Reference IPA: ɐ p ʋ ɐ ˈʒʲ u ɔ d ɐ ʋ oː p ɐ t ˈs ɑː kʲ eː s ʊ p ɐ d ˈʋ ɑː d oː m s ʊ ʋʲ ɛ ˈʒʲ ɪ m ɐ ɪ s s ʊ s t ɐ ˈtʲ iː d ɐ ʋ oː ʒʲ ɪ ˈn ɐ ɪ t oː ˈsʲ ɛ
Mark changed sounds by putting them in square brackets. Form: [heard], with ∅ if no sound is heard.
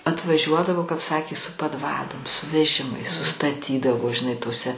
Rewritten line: ɐ [t] ʋ ɐ ˈʒʲ u ɔ d ɐ ʋ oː [k] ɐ [p] ˈs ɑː kʲ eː s ʊ p ɐ d ˈʋ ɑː d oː m s ʊ ʋʲ ɛ ˈʒʲ ɪ m ɐ ɪ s s ʊ s t ɐ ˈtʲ iː d ɐ ʋ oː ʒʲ ɪ ˈn ɐ ɪ t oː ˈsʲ ɛ